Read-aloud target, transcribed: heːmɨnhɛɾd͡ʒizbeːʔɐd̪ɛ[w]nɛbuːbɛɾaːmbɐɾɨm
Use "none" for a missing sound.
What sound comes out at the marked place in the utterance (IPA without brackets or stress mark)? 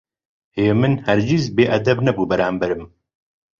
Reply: b